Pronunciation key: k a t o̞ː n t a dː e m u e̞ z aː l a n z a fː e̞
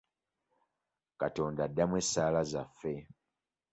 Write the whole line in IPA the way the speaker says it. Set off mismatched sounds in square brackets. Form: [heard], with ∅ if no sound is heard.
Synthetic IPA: k a t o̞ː n [d] a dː [a] m [w] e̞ [s] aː l a [∅] z a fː e̞